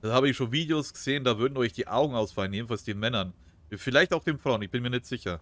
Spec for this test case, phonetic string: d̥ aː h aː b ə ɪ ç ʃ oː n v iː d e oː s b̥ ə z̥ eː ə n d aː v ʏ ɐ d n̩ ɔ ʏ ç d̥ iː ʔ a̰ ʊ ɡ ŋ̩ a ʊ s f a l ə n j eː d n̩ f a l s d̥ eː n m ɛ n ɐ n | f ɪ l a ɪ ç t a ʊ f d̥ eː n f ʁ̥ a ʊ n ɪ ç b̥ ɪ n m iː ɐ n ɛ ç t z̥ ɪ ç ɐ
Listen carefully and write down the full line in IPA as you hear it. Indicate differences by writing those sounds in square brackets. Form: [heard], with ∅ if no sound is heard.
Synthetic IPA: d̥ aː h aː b ə ɪ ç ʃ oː n v iː d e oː s [ɡ̥] ə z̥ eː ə n d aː v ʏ ɐ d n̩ ɔ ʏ ç d̥ iː ʔ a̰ ʊ ɡ ŋ̩ a ʊ s f a l ə n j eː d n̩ f a l s d̥ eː n m ɛ n ɐ n | f ɪ l a ɪ ç t a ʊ [x] d̥ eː n f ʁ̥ a ʊ n ɪ ç b̥ ɪ n m iː ɐ n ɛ ç t z̥ ɪ ç ɐ